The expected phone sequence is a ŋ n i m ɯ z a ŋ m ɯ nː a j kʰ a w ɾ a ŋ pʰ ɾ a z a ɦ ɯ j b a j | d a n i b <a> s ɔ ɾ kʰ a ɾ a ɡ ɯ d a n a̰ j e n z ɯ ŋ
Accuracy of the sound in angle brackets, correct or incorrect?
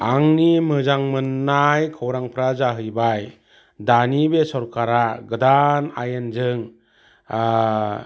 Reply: incorrect